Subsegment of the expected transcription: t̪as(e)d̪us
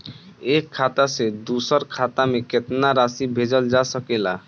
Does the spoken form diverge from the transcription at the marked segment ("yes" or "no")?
no